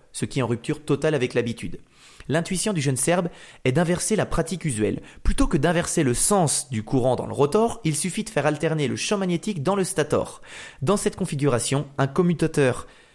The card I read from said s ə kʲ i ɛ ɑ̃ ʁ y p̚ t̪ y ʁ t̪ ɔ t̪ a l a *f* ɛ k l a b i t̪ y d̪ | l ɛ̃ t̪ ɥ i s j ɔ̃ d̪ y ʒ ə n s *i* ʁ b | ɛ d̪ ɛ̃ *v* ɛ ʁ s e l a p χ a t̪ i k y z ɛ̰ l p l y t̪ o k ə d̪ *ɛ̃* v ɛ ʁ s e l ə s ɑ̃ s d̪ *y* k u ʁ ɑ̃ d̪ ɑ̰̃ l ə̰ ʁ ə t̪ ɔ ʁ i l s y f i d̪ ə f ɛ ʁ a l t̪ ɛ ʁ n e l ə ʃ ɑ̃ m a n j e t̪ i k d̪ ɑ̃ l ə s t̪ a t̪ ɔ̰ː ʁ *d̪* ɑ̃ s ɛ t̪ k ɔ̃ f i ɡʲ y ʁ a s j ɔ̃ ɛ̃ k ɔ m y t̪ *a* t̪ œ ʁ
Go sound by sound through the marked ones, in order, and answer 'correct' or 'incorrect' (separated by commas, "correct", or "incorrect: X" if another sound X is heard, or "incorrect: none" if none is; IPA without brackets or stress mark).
incorrect: v, incorrect: ɛ, correct, correct, correct, correct, correct